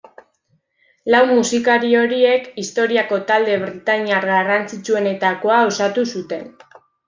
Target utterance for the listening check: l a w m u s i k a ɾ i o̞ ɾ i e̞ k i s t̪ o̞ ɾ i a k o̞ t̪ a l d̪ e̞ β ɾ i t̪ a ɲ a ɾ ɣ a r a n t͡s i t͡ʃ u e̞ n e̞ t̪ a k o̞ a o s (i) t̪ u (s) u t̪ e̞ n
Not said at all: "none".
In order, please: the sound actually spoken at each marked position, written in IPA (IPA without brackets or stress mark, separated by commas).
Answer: a, s